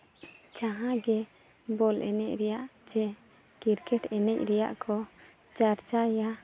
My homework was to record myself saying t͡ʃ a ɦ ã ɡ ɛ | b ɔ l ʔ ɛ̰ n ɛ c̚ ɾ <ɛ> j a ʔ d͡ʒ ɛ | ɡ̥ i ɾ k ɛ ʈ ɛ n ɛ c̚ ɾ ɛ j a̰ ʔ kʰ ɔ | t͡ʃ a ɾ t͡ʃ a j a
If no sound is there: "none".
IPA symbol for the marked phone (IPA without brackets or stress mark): ɛ